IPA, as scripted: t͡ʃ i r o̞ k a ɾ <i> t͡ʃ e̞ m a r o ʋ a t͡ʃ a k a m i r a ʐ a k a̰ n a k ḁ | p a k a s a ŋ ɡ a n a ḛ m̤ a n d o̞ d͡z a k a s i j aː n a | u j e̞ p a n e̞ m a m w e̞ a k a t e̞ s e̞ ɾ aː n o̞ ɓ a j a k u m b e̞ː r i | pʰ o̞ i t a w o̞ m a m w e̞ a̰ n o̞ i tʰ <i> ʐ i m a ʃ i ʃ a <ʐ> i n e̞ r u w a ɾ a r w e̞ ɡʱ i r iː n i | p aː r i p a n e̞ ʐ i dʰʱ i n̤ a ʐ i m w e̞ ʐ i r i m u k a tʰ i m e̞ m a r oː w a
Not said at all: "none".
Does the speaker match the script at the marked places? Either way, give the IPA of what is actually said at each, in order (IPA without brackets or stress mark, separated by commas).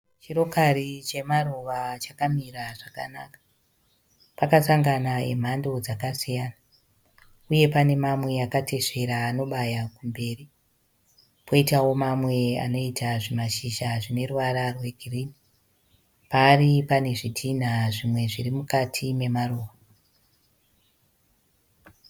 i, a, ʐ